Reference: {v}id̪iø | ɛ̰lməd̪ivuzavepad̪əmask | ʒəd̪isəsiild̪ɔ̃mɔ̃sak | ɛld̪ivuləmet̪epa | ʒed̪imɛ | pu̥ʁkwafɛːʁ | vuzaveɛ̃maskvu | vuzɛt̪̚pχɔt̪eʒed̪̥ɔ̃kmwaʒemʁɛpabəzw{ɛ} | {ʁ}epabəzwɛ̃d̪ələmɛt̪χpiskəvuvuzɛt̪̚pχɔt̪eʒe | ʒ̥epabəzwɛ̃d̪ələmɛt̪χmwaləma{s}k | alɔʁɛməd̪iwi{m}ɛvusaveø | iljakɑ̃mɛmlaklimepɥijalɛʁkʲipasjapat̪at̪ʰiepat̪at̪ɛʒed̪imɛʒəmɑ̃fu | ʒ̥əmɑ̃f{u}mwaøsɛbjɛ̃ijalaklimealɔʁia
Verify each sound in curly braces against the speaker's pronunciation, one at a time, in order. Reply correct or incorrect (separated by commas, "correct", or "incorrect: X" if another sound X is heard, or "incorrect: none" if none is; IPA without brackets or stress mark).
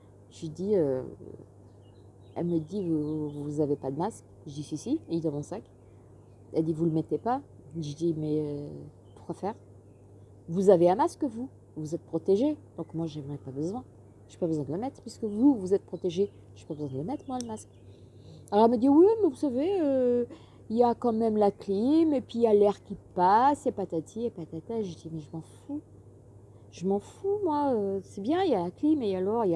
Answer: incorrect: ʒ, incorrect: ɛ̃, incorrect: ʒ, correct, correct, correct